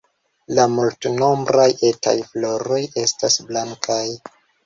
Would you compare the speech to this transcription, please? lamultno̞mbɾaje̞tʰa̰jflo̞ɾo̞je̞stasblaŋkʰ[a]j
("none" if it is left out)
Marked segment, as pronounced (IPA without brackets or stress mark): a